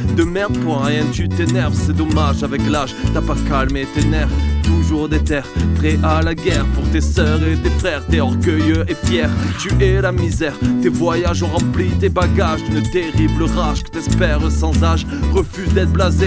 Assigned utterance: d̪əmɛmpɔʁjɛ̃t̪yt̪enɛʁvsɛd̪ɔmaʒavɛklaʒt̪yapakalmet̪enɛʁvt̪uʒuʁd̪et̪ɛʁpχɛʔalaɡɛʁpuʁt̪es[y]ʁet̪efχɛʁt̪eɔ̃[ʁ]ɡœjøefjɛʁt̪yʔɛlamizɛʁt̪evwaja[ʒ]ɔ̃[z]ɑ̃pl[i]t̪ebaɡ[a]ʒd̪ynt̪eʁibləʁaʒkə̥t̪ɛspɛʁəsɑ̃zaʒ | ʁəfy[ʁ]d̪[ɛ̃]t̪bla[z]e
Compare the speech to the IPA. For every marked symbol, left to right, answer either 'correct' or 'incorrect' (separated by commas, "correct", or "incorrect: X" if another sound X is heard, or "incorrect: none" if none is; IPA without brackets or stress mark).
incorrect: œ, correct, correct, incorrect: ʁ, correct, correct, incorrect: z, incorrect: ɛ, correct